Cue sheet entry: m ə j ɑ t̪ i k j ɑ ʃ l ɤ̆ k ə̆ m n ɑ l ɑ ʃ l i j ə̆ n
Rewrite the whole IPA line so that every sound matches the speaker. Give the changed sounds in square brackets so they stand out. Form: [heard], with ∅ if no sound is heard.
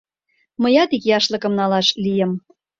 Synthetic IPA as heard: m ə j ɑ t̪ i k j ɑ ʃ l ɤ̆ k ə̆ m n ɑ l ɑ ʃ l i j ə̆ [m]